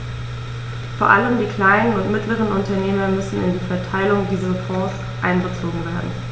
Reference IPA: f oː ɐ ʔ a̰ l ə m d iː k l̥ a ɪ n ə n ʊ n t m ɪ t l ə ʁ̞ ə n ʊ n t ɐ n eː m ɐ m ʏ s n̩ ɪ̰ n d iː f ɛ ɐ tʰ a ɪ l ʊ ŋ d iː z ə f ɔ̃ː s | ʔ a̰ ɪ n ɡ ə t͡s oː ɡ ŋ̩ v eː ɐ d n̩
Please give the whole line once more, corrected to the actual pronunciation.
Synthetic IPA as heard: f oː ɐ ʔ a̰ l ə m d iː k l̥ a ɪ n ə n ʊ n t m ɪ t l ə ʁ̞ ə n ʊ n t ɐ n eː m ɐ m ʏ s n̩ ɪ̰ n d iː f ɛ ɐ tʰ a ɪ l ʊ ŋ d iː z ɐ f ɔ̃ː s | ʔ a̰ ɪ n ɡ ə t͡s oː ɡ ŋ̩ v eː ɐ d n̩